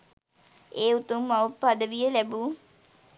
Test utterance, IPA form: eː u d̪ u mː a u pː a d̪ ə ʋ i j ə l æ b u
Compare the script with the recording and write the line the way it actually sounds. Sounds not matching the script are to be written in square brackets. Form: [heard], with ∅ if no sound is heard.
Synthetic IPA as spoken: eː u [t̪] u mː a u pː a d̪ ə ʋ i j ə l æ b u